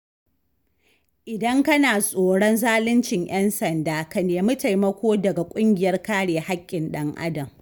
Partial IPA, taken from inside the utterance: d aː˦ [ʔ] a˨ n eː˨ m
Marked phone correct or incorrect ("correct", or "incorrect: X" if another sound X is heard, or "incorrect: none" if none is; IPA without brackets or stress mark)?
incorrect: k